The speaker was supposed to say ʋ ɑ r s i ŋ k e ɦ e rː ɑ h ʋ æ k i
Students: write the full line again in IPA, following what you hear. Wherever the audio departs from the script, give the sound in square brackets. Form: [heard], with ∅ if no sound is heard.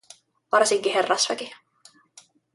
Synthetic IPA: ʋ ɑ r s i ŋ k [i] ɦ e rː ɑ [s] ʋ æ k i